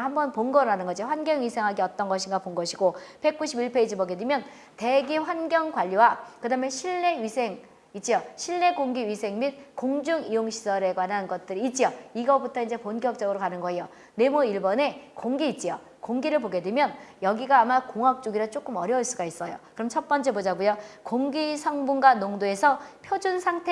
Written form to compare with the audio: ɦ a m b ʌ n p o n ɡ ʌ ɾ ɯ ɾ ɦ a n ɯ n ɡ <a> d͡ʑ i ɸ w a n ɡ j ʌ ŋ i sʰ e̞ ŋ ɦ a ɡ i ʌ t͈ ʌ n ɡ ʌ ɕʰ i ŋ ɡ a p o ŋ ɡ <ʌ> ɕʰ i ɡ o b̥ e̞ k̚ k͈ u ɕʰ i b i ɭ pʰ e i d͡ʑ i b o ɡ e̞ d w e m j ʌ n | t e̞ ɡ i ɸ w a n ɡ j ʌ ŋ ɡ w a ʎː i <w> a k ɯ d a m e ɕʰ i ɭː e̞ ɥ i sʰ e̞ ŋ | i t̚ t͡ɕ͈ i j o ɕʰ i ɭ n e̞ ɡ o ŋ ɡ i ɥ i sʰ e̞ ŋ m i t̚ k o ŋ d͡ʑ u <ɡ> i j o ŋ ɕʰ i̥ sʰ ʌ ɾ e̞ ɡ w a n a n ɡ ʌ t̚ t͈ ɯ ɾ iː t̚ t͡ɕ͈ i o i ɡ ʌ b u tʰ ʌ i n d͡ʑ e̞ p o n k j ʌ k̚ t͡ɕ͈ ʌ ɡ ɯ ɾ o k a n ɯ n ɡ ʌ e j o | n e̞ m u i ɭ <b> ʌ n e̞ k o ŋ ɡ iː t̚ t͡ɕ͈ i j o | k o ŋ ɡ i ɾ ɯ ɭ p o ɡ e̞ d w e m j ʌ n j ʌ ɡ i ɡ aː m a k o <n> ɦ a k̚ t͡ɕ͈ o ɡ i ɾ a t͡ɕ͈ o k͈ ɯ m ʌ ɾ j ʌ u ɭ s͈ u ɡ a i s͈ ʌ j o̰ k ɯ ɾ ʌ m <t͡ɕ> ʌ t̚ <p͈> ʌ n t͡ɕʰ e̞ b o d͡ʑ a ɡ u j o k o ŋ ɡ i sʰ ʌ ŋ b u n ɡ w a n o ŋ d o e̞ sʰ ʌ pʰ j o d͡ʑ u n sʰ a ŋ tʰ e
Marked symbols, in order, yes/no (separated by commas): no, yes, yes, no, yes, no, no, yes